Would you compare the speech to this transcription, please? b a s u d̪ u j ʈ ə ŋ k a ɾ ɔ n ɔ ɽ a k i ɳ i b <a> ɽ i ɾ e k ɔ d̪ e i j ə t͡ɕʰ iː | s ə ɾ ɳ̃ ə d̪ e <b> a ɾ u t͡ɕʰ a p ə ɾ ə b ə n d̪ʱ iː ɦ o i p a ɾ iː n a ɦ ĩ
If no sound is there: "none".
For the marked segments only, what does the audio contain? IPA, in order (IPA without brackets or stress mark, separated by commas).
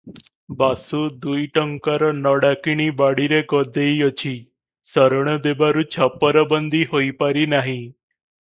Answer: a, b